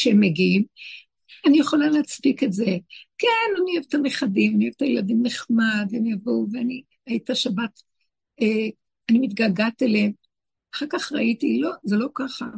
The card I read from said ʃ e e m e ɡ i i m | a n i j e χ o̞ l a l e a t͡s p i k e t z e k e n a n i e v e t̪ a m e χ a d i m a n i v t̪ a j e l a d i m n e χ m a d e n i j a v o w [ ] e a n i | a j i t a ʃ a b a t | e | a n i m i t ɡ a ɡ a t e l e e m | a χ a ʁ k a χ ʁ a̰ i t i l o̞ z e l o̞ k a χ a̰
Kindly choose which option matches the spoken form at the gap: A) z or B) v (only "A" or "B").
B